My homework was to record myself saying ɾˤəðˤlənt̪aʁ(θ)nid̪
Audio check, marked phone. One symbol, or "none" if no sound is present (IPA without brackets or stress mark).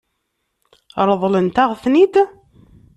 θ